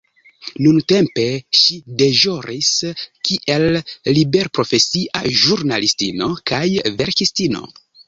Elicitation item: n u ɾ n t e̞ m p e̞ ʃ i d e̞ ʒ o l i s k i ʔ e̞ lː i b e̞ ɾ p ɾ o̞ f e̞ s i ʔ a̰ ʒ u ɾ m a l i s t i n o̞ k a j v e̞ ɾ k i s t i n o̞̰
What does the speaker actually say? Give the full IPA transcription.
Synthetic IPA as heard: n u n t e̞ m p e̞ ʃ i d e̞ ʒ o ɾ i s k i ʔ e̞ lː i b e̞ ɾ p ɾ o̞ f e̞ s i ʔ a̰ ʒ u ɾ n a l i s t i n o̞ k a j v e̞ ɾ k i s t i n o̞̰